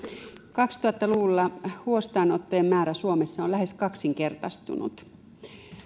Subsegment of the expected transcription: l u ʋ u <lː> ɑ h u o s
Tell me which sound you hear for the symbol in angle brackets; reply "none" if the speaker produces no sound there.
lː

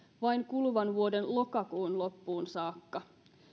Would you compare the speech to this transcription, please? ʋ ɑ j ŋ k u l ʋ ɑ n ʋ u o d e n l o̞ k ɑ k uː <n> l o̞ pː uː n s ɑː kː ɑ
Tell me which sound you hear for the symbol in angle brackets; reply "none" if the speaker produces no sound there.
n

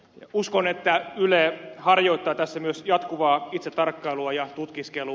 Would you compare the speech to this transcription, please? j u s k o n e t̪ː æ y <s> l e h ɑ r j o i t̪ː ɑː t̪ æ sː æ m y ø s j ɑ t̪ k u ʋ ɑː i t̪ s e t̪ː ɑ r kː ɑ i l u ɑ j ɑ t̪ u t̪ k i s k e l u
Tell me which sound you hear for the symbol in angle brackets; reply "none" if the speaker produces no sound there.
none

